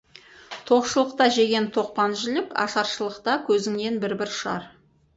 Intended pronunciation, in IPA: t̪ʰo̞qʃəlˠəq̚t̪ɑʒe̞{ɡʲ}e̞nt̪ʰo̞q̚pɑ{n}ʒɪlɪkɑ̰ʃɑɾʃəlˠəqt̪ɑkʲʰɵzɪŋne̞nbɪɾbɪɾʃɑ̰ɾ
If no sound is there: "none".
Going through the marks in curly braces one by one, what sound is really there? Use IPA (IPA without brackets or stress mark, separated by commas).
ɡʲ, n